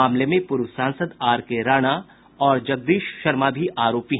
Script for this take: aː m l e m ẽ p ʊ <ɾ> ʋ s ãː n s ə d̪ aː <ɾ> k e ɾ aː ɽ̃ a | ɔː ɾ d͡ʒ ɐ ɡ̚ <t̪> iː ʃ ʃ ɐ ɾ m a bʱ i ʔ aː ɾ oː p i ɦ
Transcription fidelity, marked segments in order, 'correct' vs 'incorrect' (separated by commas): correct, correct, incorrect